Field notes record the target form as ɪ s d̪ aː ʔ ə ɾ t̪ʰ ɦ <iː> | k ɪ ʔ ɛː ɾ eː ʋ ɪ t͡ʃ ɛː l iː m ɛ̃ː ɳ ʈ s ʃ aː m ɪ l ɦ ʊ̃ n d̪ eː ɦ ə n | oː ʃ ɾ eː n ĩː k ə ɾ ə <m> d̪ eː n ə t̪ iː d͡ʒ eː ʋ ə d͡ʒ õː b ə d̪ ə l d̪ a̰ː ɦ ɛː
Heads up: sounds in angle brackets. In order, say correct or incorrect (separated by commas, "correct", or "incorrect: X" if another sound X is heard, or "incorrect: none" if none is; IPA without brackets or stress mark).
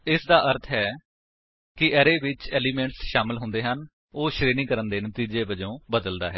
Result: incorrect: ɛː, incorrect: n